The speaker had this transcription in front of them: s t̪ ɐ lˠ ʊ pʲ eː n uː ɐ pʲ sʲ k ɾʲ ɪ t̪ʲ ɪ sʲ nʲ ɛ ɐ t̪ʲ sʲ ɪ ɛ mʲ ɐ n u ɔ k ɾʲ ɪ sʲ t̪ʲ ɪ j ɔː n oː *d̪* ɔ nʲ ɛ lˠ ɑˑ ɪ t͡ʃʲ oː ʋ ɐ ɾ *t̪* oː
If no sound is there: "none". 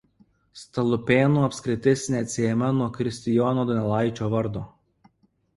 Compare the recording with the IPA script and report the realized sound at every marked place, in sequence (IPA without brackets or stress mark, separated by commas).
d̪, d̪